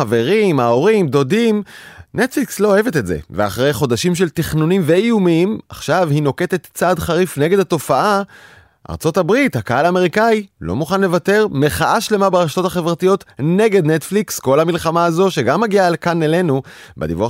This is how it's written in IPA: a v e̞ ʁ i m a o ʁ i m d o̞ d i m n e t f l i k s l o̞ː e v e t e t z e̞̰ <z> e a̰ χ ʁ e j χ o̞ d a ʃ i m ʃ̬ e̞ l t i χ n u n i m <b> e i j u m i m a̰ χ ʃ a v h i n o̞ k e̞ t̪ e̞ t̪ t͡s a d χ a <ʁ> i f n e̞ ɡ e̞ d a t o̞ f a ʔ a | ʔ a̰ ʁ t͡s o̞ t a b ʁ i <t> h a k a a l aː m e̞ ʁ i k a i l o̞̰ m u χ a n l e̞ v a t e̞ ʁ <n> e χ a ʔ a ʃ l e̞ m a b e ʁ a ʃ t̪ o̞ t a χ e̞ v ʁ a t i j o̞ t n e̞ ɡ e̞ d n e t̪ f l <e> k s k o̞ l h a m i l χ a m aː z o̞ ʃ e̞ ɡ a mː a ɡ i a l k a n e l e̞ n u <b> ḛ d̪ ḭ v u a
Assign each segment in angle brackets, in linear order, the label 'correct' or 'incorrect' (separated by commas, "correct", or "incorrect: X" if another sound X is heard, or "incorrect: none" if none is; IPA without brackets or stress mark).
incorrect: v, incorrect: v, correct, correct, incorrect: m, incorrect: i, correct